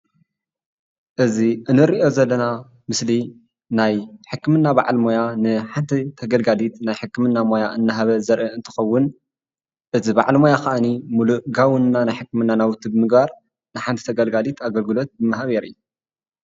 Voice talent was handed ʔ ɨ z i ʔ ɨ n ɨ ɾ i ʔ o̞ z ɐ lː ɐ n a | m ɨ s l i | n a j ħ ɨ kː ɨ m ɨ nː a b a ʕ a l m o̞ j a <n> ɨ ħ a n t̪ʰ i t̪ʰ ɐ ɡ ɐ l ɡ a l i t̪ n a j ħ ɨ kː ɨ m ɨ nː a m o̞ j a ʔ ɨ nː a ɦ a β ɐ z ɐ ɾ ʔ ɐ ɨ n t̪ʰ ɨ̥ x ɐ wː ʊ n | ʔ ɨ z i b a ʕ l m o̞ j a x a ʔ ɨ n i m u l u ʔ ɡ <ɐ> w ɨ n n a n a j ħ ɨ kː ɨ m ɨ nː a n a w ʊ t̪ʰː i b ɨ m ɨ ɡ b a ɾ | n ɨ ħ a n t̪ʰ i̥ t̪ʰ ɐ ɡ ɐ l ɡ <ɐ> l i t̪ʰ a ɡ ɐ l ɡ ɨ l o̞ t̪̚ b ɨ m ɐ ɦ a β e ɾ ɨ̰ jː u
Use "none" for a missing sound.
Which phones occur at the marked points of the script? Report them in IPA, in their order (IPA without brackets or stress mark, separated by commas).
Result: n, a, a